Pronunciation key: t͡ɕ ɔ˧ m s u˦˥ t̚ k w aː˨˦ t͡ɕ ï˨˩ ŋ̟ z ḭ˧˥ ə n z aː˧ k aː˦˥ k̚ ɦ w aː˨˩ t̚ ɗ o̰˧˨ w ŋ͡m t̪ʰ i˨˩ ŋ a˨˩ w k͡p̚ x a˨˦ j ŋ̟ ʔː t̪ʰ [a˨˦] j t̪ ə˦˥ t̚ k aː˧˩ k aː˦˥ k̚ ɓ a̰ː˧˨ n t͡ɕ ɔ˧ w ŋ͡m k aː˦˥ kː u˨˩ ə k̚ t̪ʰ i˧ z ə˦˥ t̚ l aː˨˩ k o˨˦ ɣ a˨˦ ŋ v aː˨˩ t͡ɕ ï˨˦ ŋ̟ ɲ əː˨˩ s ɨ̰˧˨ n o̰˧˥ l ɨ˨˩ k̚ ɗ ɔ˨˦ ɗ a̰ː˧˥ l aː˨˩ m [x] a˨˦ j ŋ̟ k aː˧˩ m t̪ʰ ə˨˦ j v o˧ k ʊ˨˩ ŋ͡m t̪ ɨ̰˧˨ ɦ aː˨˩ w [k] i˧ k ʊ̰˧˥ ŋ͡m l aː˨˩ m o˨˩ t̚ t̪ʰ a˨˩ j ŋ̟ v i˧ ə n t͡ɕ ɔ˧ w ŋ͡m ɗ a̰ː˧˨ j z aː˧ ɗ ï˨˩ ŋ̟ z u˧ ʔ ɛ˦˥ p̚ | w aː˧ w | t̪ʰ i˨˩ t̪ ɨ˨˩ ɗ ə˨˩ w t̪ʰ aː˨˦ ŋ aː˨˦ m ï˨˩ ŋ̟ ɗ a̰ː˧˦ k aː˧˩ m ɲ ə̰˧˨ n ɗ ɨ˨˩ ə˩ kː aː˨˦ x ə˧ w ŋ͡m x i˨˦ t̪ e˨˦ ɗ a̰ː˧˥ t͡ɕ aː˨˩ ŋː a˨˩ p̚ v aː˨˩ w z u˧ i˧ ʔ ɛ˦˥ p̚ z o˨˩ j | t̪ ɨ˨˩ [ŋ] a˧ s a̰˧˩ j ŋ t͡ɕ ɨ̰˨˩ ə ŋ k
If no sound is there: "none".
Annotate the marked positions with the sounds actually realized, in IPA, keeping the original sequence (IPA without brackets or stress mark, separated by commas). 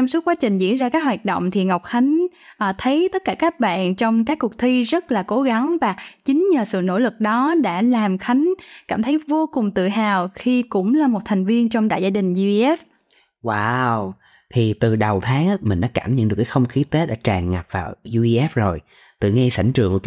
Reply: ə˨˦, x, x, ŋ